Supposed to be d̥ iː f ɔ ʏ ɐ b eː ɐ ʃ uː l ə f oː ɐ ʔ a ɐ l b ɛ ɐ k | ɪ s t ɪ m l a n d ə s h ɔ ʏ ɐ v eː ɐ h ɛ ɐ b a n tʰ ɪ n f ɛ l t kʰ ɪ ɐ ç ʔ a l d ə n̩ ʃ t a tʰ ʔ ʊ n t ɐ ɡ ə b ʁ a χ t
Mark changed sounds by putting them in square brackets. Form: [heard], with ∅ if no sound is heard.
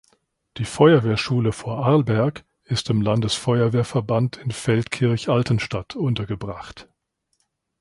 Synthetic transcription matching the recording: d̥ iː f ɔ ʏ ɐ [v] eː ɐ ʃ uː l ə f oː ɐ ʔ a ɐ l b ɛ ɐ k | ɪ s t ɪ m l a n d ə s [f] ɔ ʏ ɐ v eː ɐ [f] ɛ ɐ b a n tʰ ɪ n f ɛ l t kʰ ɪ ɐ ç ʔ a l [t] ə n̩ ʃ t a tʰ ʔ ʊ n t ɐ ɡ ə b ʁ a χ t